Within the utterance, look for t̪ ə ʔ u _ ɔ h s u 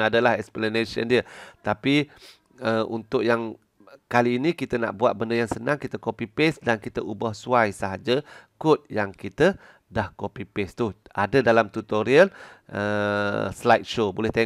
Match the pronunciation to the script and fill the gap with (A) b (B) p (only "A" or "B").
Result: A